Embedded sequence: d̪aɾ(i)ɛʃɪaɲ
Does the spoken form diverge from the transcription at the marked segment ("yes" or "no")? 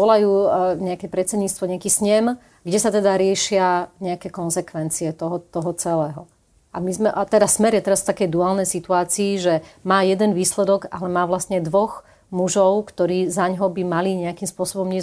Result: yes